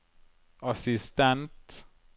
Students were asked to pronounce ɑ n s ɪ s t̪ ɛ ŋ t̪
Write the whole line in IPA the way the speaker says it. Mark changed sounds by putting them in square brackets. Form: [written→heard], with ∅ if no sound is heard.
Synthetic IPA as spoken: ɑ [n→∅] s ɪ s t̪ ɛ [ŋ→n] t̪